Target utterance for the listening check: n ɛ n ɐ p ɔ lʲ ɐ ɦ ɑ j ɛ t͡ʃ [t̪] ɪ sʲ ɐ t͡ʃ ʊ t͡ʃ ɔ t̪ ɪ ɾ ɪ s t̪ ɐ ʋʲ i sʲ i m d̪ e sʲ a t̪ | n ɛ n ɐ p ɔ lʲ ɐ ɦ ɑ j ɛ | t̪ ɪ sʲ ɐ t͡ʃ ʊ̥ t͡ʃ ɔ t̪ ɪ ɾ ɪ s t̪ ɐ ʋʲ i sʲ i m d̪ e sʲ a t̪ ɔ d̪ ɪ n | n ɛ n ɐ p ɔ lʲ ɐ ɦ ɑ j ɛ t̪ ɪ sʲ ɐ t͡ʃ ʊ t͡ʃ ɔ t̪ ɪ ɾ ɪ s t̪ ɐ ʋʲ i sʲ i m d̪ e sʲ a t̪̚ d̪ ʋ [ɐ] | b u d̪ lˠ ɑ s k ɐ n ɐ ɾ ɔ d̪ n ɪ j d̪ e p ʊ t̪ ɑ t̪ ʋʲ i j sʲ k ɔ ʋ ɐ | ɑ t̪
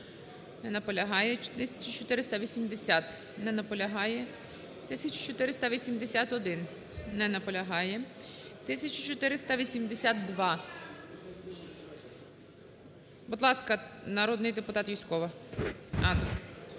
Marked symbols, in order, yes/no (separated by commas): yes, no